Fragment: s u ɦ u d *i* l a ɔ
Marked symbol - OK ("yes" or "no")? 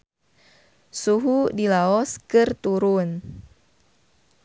yes